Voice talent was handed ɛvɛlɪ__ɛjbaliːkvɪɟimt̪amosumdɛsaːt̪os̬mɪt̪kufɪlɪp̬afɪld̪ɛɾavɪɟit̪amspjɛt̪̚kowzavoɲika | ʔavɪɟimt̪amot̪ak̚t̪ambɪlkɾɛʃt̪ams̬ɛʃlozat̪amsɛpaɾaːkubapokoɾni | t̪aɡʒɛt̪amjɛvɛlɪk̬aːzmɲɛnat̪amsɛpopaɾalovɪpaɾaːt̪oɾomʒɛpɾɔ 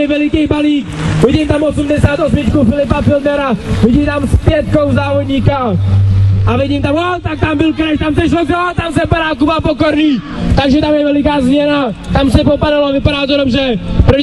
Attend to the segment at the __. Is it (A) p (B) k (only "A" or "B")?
B